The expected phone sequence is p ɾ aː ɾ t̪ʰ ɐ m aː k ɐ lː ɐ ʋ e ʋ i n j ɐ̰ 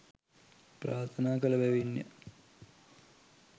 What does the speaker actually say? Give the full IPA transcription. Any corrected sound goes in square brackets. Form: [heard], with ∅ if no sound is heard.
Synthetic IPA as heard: p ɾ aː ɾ t̪ʰ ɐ [n] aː k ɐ [l] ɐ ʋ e ʋ i n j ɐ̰

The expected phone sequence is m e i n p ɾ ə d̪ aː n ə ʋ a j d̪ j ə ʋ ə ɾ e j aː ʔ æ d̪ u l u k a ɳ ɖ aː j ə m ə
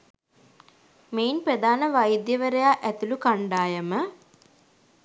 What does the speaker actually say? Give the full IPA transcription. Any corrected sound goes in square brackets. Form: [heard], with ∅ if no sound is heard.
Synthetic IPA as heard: m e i n p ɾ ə d̪ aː n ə ʋ a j d̪ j ə ʋ ə ɾ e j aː ʔ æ [t̪] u l u k a ɳ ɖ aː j ə m ə

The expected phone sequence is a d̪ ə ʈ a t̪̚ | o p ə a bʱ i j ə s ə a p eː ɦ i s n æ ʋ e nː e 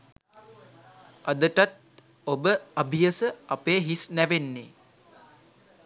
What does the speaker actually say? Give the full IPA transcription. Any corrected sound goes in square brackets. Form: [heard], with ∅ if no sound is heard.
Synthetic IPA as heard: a d̪ ə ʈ a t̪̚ | o [b] ə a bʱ i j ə s ə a p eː ɦ i s n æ ʋ e nː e

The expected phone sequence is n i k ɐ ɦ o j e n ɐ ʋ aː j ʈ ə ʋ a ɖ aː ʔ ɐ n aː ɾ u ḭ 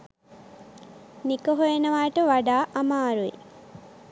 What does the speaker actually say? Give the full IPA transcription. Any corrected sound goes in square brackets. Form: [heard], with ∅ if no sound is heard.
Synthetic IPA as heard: n i k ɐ ɦ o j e n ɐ ʋ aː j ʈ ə ʋ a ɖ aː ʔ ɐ [m] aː ɾ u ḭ

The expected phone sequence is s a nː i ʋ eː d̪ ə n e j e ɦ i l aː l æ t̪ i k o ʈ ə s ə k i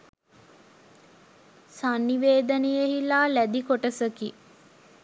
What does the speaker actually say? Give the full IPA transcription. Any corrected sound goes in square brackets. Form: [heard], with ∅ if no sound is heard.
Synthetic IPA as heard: s a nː i ʋ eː d̪ ə n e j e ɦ i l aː l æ [d̪] i k o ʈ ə s ə k i

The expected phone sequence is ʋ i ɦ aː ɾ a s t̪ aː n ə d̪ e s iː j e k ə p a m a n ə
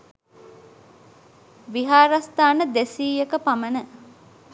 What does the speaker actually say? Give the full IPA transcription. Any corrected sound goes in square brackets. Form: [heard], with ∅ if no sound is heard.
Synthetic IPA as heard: ʋ i ɦ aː ɾ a s t̪ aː n ə d̪ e s iː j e k ə p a m [ə] n ə

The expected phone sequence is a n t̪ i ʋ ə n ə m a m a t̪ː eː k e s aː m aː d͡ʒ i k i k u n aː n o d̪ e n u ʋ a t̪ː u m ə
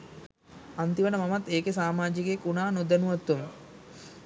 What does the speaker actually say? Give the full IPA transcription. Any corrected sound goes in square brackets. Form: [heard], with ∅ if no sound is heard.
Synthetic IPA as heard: a n t̪ i ʋ ə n ə m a m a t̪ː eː k e s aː m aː d͡ʒ i k [e] k u n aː n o d̪ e n u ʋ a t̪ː u m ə

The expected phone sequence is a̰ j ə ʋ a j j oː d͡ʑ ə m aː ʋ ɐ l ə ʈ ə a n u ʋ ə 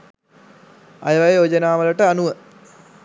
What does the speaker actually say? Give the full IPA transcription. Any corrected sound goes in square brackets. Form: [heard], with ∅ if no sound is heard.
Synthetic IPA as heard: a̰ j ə ʋ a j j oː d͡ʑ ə [n] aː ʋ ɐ l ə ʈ ə a n u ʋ ə

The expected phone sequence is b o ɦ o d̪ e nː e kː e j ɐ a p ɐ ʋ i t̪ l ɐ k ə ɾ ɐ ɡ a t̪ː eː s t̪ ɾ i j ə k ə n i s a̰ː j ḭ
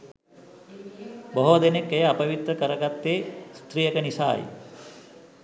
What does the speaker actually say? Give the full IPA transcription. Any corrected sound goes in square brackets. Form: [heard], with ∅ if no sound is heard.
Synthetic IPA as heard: b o ɦ o d̪ e [n] e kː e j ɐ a p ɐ ʋ i t̪ [ɾ] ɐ k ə ɾ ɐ ɡ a t̪ː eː s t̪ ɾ i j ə k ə n i s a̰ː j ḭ

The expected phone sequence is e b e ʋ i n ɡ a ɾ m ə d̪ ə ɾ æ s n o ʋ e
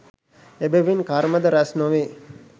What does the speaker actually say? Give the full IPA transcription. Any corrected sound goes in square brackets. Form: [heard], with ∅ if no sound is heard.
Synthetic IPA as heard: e b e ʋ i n [k] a ɾ m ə d̪ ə ɾ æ s n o ʋ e

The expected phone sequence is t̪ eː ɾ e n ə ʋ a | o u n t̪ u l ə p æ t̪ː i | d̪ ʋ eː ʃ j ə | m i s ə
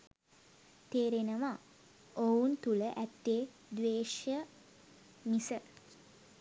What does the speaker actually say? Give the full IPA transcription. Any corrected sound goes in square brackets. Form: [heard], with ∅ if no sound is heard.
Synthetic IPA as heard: t̪ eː ɾ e n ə ʋ a | o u n t̪ u l ə [ʔ] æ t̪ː [e] | d̪ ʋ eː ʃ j ə | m i s ə

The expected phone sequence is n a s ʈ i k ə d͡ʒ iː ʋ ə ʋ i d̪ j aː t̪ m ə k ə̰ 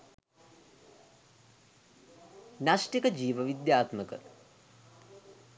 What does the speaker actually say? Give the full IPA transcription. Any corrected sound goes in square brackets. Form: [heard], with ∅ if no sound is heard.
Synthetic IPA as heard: n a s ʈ i k ə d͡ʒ iː ʋ ə ʋ i d̪ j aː t̪ m ə k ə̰

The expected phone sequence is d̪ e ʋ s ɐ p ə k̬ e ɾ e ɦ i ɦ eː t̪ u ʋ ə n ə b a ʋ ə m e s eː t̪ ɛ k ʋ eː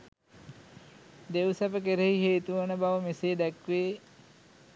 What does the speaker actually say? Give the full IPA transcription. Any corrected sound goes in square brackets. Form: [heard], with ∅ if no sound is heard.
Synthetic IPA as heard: d̪ e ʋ s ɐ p ə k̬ e ɾ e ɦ i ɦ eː t̪ u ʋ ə n ə b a ʋ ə m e s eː [d̪] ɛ k ʋ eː

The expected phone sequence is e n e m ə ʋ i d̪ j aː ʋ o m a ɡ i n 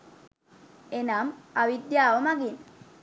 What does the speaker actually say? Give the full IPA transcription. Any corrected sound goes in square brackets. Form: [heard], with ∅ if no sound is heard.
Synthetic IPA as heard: e n [a] m [a] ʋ i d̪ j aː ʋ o m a ɡ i n

